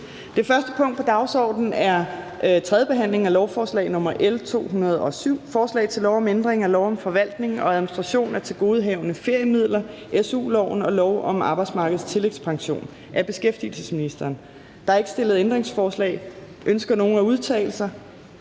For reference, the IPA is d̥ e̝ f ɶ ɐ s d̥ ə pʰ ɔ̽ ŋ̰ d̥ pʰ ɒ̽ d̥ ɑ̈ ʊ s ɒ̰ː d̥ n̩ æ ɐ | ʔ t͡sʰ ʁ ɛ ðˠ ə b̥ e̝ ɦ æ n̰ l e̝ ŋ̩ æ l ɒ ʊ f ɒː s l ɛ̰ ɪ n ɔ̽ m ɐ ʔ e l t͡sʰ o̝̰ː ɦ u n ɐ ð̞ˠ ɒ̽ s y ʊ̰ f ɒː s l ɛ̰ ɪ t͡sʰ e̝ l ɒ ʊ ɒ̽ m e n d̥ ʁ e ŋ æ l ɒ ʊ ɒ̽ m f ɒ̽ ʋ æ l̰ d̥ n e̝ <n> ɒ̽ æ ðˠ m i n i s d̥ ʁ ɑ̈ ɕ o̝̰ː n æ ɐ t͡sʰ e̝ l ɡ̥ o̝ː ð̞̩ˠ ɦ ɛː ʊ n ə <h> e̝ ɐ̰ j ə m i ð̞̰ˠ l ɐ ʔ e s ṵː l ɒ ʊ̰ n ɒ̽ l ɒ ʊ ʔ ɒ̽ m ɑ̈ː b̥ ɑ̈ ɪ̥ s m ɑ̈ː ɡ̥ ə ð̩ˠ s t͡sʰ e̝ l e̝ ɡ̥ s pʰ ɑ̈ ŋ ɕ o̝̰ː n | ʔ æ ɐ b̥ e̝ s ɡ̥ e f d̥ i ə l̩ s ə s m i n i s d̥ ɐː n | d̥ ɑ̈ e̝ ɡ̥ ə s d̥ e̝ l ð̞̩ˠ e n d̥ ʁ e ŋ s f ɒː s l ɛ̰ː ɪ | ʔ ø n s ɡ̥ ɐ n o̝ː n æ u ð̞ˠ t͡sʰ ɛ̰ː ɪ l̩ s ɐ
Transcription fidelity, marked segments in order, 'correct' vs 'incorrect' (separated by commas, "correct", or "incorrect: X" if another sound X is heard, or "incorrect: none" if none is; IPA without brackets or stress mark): incorrect: ŋ, incorrect: f